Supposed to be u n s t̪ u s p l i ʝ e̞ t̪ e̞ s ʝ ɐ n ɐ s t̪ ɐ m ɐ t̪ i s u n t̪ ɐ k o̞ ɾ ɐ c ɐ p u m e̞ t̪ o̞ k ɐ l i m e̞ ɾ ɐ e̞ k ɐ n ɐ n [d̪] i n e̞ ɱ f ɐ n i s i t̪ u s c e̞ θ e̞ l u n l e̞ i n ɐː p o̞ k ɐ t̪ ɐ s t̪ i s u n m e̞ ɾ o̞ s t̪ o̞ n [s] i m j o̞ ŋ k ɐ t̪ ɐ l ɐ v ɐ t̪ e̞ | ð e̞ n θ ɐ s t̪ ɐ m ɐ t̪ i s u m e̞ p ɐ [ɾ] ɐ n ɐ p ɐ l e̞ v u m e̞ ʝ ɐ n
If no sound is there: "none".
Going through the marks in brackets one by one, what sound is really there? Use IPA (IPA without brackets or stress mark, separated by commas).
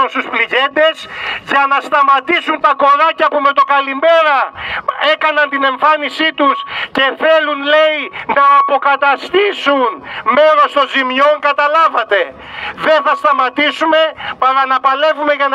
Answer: t̪, z, ɾ